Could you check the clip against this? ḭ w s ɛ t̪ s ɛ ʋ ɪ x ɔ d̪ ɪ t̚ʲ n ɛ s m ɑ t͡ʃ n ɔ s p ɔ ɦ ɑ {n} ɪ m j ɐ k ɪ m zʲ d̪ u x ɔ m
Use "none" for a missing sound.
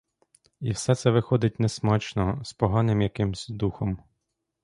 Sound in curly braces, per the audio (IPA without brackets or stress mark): n